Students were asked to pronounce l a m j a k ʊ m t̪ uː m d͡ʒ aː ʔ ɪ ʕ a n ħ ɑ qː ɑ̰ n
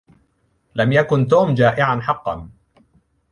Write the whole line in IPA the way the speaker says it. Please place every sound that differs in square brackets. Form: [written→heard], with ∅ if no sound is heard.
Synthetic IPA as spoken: l a m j a k ʊ [m→n] t̪ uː m d͡ʒ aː ʔ ɪ ʕ a n ħ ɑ qː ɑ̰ n